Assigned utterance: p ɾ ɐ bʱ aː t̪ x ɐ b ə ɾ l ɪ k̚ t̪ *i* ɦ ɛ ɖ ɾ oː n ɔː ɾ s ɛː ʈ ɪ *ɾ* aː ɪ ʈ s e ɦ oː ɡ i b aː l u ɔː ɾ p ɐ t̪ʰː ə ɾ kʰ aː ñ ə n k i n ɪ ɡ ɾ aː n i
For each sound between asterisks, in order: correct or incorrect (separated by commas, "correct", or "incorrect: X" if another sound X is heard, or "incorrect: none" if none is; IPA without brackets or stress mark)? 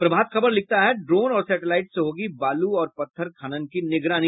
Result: incorrect: a, incorrect: l